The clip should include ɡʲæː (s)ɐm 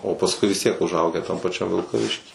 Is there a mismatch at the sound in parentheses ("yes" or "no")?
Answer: yes